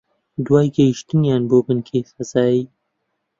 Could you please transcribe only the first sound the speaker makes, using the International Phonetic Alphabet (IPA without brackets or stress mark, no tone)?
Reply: d̪